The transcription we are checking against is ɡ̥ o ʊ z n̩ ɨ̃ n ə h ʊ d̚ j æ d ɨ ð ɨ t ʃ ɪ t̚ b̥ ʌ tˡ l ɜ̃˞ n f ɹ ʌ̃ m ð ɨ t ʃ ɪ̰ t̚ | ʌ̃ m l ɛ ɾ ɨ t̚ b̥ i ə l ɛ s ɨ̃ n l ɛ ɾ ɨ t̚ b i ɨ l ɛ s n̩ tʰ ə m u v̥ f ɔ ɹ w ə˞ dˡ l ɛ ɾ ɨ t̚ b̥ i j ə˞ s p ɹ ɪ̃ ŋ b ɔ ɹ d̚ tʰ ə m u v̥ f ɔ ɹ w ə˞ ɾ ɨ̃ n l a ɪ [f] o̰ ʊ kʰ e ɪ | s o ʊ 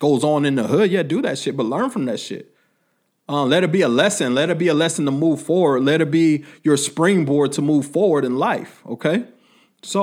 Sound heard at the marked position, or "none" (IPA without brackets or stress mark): f